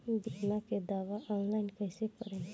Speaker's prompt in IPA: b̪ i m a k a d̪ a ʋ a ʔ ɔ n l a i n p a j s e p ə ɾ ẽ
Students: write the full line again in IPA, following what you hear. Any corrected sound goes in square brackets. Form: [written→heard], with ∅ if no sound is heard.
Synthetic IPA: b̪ i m a k [a→e] d̪ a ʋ a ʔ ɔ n l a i n [p→k] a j s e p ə ɾ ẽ

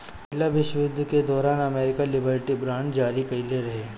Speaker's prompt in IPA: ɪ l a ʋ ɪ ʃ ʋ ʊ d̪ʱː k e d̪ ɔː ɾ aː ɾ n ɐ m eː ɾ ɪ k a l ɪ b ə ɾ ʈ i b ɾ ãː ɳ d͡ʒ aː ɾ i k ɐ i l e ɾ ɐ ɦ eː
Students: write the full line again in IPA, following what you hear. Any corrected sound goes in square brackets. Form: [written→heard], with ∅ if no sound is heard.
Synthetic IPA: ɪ l a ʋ ɪ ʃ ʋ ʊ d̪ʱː k e d̪ ɔː ɾ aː [ɾ→∅] n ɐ m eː ɾ ɪ k a l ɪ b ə ɾ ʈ i b ɾ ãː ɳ d͡ʒ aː ɾ i k ɐ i l e ɾ ɐ ɦ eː

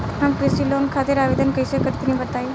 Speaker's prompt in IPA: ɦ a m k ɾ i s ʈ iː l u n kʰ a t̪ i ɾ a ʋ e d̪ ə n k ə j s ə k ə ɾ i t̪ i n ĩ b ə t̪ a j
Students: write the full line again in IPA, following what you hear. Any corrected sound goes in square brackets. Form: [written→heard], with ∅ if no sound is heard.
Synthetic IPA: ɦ a m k ɾ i s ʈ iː l [u→o] n kʰ a t̪ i ɾ a ʋ e d̪ ə n k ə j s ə k ə ɾ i t̪ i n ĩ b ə t̪ a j

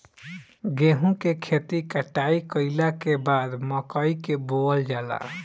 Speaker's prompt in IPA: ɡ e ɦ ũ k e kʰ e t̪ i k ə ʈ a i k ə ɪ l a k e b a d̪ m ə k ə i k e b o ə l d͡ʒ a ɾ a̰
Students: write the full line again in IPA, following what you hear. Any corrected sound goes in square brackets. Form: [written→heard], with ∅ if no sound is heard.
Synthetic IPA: ɡ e ɦ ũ k e kʰ e t̪ i k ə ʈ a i k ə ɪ l a k e b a d̪ m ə k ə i k e b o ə l d͡ʒ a [ɾ→l] a̰

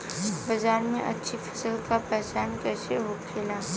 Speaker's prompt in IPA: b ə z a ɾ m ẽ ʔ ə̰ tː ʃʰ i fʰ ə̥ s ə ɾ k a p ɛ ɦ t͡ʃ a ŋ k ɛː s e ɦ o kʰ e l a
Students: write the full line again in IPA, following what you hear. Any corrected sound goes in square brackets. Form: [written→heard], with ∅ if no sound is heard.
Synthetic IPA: b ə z a ɾ m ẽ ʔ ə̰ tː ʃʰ i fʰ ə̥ s ə [ɾ→l] k a p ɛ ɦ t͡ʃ a [ŋ→n] k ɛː s e ɦ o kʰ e l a

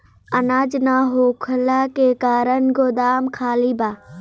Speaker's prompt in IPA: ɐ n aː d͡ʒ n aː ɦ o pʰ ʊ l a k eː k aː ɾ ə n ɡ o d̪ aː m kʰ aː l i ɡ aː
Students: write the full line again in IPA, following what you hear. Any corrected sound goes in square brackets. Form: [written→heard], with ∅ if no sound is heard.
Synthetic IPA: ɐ n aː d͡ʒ n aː ɦ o [pʰ→kʰ] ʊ l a k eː k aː ɾ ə n ɡ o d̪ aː m kʰ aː l i [ɡ→b] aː

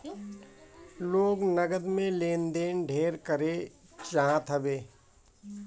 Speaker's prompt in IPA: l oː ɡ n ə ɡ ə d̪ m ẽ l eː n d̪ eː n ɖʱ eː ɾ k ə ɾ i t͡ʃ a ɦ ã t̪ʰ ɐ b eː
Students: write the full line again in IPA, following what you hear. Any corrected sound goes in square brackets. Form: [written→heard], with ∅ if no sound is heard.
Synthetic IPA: l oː ɡ n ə ɡ ə d̪ m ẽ l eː n d̪ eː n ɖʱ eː ɾ k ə ɾ [i→e] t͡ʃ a ɦ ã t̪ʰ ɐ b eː

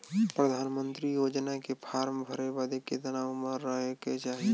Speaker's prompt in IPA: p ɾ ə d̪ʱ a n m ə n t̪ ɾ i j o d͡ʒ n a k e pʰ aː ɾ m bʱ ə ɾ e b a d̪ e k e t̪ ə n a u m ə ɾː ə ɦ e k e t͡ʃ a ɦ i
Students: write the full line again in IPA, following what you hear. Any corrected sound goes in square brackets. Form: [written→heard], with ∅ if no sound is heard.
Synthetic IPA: p ɾ ə d̪ʱ a n m ə n t̪ ɾ i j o d͡ʒ n a k e pʰ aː ɾ m bʱ ə ɾ e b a d̪ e k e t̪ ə n a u m ə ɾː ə ɦ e k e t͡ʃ a ɦ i

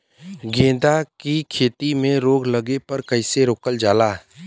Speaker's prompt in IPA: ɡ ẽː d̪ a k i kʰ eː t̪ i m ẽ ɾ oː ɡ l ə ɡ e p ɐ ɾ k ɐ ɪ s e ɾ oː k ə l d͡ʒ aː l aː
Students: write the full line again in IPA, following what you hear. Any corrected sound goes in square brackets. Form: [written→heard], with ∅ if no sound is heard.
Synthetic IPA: ɡ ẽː d̪ a k i kʰ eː t̪ i m ẽ ɾ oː ɡ l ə ɡ e p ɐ ɾ k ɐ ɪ s e ɾ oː k ə l d͡ʒ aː l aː

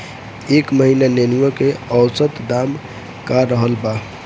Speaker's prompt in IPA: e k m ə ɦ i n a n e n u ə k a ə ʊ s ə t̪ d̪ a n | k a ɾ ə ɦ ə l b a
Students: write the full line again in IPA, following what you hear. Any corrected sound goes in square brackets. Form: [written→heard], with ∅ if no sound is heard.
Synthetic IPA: e k m ə ɦ i n a n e n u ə k [a→e] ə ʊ s ə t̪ d̪ a [n→m] | k a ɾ ə ɦ ə l b a

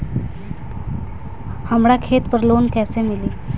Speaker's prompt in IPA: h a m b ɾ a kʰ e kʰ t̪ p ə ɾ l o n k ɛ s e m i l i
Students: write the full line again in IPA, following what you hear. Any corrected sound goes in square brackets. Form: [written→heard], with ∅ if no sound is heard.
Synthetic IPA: h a m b [ɾ→ɽ] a kʰ e [kʰ→∅] t̪ p ə ɾ l o n k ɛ s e m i l i

